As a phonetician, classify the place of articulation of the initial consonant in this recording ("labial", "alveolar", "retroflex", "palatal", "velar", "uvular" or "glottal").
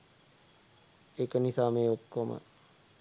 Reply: velar